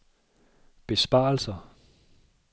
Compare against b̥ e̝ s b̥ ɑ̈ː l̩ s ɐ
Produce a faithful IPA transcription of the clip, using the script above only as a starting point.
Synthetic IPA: b̥ e̝ s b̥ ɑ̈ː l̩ s ɐ